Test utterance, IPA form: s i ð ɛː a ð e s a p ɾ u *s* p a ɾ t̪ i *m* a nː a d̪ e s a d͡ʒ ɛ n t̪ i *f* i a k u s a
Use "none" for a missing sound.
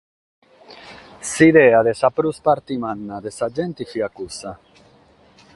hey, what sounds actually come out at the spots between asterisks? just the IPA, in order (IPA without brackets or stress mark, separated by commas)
s, m, f